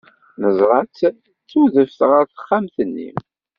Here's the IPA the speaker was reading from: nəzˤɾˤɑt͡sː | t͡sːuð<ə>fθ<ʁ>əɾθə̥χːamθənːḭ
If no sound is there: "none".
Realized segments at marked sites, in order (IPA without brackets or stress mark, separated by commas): ə, ʁ